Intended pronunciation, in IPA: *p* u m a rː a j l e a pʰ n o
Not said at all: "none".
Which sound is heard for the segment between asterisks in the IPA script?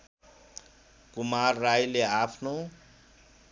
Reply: k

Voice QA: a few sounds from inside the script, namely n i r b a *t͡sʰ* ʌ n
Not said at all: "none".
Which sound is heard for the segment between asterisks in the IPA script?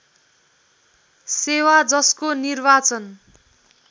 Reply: t͡s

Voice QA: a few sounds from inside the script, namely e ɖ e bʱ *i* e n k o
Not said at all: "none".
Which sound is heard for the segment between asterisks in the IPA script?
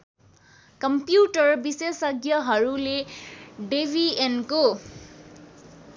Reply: i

